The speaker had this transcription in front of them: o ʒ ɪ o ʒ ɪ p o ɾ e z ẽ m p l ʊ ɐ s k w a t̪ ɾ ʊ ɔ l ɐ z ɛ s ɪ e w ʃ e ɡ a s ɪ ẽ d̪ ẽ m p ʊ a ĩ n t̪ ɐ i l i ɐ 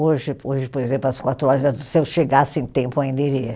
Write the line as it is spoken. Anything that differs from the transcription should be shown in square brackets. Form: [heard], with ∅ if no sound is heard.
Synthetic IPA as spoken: o ʒ ɪ o ʒ ɪ p o ɾ e z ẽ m p l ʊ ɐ s k w a t̪ ɾ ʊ ɔ [ɾ] ɐ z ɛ s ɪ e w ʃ e ɡ a s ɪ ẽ [t̪] ẽ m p ʊ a ĩ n [d̪] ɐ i [ɾ] i ɐ